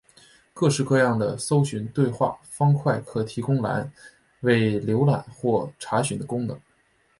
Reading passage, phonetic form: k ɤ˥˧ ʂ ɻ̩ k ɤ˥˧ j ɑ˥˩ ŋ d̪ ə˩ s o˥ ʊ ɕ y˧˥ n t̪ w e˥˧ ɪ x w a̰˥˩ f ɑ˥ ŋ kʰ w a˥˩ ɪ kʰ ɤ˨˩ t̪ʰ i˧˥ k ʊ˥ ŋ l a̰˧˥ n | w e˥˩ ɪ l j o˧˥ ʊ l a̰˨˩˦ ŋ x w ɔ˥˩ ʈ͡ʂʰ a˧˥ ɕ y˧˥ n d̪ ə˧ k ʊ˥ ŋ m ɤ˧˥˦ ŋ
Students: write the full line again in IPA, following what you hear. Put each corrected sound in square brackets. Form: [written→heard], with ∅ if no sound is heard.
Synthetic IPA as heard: k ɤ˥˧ ʂ ɻ̩ k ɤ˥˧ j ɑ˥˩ ŋ d̪ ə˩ s o˥ ʊ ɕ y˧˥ n t̪ w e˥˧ ɪ x w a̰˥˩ f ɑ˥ ŋ kʰ w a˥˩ ɪ kʰ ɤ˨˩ t̪ʰ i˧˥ k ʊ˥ ŋ l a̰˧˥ n | w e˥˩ ɪ l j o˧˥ ʊ l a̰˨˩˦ [ŋ→n] x w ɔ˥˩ ʈ͡ʂʰ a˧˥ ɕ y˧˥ n d̪ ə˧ k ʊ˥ ŋ [m→n] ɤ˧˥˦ ŋ